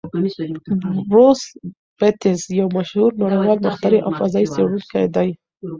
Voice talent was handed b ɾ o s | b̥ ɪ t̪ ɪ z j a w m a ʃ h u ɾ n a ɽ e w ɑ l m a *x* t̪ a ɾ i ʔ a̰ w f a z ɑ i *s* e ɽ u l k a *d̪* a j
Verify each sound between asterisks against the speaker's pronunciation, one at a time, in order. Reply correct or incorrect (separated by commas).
correct, correct, correct